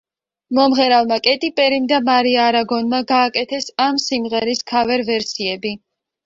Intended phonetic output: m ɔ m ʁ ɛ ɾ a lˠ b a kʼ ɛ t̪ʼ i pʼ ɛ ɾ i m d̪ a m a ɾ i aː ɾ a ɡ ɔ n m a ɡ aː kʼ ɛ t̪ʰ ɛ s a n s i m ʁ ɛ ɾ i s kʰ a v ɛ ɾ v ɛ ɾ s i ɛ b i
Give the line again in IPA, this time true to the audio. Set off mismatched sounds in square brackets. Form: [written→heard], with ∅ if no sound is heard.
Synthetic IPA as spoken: m ɔ m ʁ ɛ ɾ a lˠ [b→m] a kʼ ɛ t̪ʼ i pʼ ɛ ɾ i m d̪ a m a ɾ i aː ɾ a ɡ ɔ n m a ɡ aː kʼ ɛ t̪ʰ ɛ s a [n→m] s i m ʁ ɛ ɾ i s kʰ a v ɛ ɾ v ɛ ɾ s i ɛ b i